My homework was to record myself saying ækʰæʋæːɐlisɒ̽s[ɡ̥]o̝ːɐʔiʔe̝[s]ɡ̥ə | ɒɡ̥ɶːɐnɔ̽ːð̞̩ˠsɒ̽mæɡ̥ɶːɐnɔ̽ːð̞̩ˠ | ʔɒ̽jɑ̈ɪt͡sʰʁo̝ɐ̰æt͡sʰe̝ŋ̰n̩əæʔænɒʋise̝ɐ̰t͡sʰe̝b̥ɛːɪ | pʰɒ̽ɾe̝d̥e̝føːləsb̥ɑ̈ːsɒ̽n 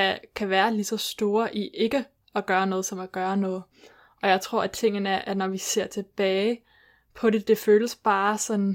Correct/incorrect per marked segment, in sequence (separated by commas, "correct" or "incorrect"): incorrect, incorrect